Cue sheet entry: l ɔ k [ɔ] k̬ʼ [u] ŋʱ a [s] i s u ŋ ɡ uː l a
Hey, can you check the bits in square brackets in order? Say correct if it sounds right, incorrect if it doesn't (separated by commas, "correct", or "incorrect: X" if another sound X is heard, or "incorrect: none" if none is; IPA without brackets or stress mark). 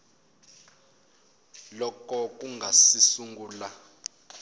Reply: correct, correct, correct